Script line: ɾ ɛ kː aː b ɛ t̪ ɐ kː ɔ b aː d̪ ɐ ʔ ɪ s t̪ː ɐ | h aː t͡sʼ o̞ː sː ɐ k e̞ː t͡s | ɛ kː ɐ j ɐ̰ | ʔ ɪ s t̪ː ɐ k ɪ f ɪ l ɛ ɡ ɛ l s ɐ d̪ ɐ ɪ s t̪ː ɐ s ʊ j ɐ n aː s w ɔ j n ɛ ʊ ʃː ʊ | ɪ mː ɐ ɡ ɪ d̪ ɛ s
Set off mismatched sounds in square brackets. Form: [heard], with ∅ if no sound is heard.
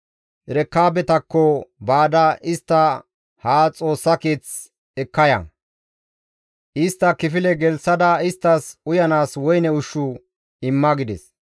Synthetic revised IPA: ɾ ɛ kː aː b ɛ t̪ ɐ kː ɔ b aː d̪ ɐ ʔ ɪ s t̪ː ɐ | h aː t͡sʼ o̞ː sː ɐ k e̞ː t͡s | ɛ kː ɐ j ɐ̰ | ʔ ɪ s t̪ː ɐ k ɪ f ɪ l ɛ ɡ ɛ l s ɐ d̪ ɐ ɪ s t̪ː ɐ s ʊ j ɐ n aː s w ɔ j n ɛ ʊ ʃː ʊ | ɪ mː ɐ ɡ ɪ d̪ ɛ s